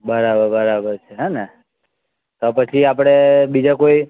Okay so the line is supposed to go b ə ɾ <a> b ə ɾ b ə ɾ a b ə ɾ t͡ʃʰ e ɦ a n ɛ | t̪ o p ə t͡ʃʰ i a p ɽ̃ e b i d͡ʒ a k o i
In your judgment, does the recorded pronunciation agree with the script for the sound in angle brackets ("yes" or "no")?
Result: yes